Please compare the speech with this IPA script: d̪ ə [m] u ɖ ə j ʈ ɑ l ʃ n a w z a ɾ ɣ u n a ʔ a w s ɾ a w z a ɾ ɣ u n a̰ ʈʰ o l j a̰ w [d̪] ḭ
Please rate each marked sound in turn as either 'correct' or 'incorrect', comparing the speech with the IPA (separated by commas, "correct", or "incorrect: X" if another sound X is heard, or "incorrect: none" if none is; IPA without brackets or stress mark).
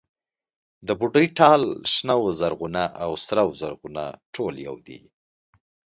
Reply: incorrect: b, correct